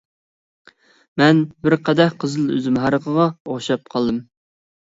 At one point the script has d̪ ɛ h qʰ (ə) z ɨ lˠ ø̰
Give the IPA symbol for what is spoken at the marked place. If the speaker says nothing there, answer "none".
ə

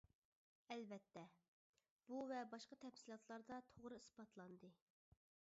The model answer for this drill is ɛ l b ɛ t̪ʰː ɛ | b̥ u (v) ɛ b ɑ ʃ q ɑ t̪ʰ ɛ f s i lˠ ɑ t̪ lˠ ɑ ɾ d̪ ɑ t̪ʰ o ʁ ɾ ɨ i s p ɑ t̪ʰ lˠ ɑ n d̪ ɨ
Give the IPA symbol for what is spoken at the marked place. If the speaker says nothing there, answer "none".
v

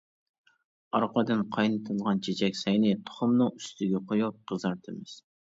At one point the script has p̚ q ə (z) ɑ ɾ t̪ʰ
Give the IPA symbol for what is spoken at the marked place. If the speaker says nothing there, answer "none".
z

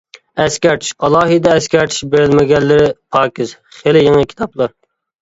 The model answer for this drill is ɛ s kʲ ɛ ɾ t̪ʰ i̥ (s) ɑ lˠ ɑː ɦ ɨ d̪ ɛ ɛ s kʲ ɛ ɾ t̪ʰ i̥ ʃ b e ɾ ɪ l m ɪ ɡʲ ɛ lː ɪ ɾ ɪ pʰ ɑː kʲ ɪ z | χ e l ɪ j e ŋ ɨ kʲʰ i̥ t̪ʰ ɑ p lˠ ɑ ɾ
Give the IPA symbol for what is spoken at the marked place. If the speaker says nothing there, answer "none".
ʃ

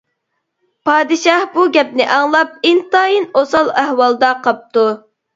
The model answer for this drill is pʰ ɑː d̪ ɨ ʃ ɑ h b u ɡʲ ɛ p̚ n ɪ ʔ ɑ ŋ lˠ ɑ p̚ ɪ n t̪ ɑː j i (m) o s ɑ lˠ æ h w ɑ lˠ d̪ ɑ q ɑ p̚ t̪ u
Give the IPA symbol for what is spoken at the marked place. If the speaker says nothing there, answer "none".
n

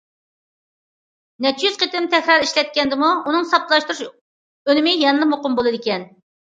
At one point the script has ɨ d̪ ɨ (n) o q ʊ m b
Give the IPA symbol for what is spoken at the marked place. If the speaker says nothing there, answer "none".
m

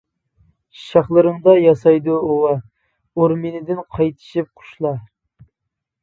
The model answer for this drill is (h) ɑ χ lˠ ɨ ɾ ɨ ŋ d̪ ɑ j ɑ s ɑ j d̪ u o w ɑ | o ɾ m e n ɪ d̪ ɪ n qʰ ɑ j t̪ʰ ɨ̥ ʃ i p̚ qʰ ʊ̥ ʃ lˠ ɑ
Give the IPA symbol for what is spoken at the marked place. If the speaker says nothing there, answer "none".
ʃ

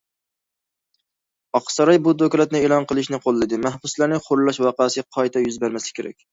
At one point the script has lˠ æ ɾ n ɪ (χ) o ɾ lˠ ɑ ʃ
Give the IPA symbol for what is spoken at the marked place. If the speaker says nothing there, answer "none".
χ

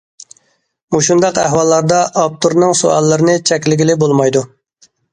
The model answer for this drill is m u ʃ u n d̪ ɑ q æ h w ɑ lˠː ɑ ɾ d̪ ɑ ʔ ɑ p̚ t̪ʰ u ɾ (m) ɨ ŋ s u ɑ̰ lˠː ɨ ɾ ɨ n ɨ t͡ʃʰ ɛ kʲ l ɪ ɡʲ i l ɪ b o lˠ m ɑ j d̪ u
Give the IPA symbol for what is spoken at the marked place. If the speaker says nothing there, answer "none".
n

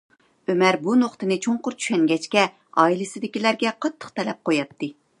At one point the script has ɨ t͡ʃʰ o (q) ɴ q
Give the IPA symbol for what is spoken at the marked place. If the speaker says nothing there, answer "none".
none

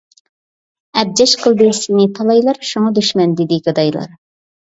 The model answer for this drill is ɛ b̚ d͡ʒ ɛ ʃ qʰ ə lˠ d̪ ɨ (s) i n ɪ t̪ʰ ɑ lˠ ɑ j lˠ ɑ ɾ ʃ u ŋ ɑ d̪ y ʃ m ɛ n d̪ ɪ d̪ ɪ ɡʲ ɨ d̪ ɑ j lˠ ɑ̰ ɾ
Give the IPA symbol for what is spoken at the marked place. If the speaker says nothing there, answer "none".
s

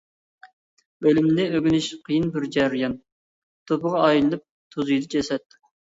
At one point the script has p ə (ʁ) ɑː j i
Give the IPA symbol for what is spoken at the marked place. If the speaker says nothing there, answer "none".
ʁ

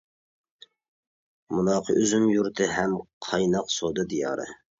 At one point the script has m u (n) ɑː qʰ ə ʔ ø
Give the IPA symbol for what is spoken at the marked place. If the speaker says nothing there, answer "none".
n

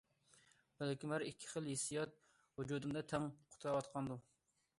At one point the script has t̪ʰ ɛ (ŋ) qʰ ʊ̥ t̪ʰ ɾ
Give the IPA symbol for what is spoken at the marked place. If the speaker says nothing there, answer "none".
ŋ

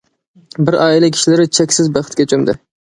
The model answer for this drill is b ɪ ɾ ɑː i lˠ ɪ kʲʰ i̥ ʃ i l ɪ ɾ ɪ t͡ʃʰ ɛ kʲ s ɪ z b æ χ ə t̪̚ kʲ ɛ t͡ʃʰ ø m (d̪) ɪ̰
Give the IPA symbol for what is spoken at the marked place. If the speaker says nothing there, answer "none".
d̪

